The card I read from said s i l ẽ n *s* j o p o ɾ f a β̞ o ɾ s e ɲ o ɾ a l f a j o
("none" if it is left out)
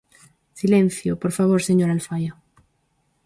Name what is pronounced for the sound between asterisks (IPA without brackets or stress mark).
θ